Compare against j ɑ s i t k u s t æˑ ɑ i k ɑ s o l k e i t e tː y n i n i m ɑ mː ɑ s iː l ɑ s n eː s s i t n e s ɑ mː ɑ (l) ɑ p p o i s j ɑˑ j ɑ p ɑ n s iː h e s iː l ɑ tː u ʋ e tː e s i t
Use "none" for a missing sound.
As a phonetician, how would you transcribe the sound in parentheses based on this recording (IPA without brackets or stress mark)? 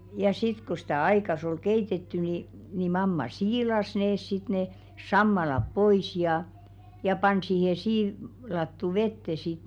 l